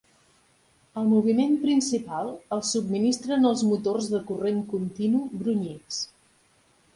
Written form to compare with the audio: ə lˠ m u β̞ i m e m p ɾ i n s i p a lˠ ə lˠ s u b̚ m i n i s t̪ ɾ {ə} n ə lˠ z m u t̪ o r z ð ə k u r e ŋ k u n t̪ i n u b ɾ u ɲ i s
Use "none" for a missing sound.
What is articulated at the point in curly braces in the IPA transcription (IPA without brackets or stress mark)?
ə